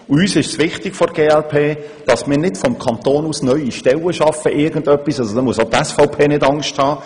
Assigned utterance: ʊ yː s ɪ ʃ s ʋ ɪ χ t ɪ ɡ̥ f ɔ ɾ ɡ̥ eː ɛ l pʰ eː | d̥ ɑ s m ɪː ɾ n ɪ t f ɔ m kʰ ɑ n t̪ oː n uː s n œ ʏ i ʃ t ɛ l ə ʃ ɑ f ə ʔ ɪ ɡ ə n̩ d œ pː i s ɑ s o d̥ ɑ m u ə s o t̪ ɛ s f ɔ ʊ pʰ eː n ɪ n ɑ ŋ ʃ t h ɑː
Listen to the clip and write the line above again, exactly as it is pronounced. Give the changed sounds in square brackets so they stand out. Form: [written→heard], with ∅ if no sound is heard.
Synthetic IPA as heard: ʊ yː s ɪ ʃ s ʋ ɪ χ t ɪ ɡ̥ f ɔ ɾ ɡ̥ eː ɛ l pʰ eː | d̥ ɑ s m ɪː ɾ n ɪ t f ɔ m kʰ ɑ n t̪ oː n uː s n œ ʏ i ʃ t ɛ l ə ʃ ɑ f ə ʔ ɪ ɡ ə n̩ d œ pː i s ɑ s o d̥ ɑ m u ə s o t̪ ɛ s f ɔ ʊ pʰ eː n ɪ [n→d] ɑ ŋ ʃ t h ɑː